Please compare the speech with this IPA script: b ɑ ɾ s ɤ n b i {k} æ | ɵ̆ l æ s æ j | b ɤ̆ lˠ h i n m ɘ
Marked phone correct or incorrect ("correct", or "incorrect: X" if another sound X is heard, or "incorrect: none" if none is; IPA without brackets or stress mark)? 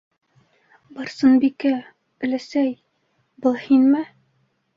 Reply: correct